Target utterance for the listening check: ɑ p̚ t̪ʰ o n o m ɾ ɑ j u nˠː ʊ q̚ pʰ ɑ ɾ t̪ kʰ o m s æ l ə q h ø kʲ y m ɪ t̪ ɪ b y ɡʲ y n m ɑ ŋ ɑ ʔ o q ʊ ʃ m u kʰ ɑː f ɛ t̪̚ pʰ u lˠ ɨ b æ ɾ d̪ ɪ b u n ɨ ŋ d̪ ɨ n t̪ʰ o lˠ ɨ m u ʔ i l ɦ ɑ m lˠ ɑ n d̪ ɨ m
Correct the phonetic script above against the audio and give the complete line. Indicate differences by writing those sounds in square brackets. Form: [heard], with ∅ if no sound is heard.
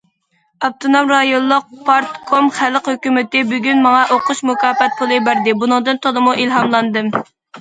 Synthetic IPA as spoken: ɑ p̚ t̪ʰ o n o m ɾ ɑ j [o] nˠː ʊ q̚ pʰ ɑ ɾ t̪ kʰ o m [χ] æ l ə q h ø kʲ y m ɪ t̪ ɪ b y ɡʲ y n m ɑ ŋ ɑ ʔ o q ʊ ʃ m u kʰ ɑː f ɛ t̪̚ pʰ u lˠ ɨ b æ ɾ d̪ ɪ b u n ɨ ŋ d̪ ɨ n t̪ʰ o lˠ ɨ m u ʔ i l ɦ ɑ m lˠ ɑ n d̪ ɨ m